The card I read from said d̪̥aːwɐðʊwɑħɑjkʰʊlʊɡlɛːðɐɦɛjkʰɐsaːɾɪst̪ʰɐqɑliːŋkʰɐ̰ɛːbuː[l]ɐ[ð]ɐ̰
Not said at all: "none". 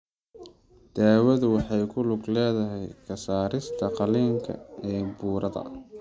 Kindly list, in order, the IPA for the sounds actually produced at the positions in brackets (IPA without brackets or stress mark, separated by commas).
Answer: ɾ, ð